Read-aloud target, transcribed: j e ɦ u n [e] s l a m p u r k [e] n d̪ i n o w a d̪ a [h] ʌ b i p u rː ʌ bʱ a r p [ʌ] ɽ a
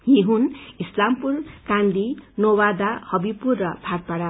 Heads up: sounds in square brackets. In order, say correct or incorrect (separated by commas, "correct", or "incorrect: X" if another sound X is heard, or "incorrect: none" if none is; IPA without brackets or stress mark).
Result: incorrect: i, incorrect: a, correct, incorrect: a